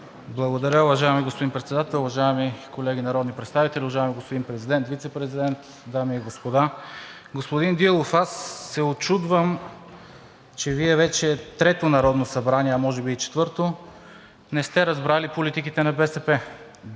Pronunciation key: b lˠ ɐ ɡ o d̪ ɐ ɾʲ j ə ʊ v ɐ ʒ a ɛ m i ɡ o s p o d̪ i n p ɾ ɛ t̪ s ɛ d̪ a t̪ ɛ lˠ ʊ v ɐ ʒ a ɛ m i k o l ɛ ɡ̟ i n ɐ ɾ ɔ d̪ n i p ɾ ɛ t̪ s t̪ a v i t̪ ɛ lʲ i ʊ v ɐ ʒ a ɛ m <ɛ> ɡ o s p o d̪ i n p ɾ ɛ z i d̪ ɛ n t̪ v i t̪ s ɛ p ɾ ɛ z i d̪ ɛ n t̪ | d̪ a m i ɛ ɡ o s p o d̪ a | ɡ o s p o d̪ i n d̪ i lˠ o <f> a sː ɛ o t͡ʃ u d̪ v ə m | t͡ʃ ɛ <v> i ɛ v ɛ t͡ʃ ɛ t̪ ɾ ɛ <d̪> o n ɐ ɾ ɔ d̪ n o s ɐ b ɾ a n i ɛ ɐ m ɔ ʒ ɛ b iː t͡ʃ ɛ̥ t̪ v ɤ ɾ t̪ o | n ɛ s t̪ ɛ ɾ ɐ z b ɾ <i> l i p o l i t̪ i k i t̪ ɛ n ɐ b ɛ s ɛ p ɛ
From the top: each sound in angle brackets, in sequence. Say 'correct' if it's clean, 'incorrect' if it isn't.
incorrect: i, correct, correct, incorrect: t̪, incorrect: a

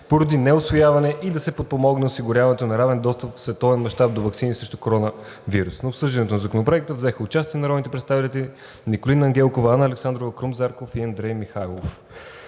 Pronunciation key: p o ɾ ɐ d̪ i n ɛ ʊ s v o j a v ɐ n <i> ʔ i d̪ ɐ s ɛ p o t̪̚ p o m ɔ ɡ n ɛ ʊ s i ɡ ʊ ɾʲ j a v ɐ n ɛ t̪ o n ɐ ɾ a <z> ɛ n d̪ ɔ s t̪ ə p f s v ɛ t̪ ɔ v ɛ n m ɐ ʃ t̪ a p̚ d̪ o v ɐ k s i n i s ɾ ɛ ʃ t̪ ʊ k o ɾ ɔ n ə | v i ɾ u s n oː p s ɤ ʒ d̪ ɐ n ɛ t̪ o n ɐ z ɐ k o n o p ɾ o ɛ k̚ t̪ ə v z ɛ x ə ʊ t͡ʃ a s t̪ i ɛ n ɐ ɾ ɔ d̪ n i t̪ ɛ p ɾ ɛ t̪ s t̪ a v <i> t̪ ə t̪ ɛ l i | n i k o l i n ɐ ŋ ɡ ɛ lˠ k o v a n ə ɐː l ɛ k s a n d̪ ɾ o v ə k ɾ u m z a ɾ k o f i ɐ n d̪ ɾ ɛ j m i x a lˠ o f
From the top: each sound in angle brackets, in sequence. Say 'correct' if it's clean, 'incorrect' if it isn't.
incorrect: ɛ, incorrect: v, correct

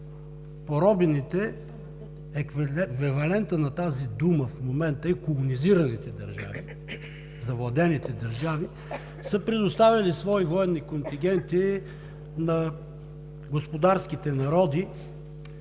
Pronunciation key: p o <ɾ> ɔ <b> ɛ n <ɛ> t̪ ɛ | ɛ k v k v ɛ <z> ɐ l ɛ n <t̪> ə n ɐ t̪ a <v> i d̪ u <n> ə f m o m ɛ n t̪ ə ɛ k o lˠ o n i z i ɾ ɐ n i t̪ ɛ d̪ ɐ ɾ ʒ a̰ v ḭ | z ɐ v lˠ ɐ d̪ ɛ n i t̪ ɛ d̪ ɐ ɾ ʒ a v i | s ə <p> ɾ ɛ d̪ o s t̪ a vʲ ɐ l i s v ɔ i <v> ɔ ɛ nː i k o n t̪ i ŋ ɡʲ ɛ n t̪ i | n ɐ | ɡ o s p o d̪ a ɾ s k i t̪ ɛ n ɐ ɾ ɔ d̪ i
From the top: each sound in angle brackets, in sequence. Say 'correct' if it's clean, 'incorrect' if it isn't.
correct, correct, incorrect: i, incorrect: v, correct, incorrect: z, incorrect: m, correct, correct

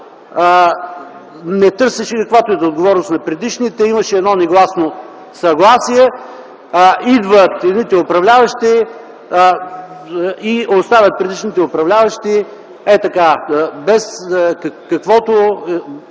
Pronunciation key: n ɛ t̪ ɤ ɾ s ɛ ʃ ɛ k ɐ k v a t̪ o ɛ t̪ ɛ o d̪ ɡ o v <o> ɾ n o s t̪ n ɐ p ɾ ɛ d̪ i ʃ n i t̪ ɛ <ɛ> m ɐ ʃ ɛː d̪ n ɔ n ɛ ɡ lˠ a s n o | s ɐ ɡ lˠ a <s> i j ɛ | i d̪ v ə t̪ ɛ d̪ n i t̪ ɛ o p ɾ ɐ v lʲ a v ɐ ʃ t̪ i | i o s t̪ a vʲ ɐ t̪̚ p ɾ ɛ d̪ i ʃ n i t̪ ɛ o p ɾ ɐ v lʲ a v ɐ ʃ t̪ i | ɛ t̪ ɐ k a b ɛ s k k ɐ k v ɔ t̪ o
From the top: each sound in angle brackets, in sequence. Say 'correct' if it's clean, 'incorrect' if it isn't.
incorrect: ɔ, incorrect: i, correct

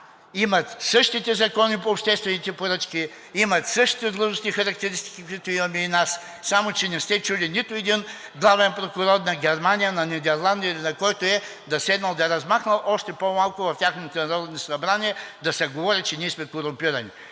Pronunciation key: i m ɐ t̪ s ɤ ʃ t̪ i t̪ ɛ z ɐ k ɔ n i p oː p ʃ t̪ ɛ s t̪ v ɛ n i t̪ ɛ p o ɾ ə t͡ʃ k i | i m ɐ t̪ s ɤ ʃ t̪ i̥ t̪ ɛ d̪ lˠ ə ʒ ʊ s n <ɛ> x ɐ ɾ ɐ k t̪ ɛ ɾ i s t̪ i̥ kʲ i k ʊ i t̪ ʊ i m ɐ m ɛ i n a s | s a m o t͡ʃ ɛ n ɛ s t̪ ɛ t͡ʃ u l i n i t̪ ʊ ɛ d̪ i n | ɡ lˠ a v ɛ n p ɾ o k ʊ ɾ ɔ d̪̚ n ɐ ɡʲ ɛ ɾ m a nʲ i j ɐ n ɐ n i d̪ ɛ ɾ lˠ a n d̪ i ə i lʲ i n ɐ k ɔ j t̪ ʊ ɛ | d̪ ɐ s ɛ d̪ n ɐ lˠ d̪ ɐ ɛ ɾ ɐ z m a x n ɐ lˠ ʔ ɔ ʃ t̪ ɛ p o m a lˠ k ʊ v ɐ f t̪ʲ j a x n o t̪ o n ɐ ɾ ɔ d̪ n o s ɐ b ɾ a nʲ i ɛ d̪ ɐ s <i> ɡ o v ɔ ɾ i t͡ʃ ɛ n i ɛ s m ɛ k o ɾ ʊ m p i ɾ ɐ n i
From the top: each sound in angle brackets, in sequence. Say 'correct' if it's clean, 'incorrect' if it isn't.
incorrect: i, incorrect: ɛ

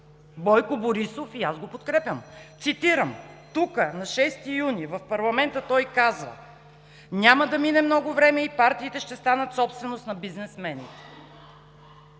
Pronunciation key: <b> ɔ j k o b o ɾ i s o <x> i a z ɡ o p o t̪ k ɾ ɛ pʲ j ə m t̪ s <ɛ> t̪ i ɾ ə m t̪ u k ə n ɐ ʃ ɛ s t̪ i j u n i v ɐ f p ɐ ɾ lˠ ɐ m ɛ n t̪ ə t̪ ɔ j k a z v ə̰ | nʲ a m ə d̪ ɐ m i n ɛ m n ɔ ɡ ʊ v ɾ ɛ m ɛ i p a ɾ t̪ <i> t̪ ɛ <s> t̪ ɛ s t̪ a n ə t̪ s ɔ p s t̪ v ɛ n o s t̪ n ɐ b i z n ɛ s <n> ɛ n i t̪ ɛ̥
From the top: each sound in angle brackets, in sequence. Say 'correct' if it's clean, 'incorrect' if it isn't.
correct, incorrect: f, incorrect: i, incorrect: iː, incorrect: ʃ, incorrect: m

